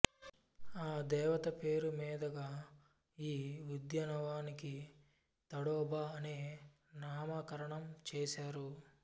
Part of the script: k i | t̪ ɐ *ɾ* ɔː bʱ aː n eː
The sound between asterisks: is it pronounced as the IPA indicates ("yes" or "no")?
no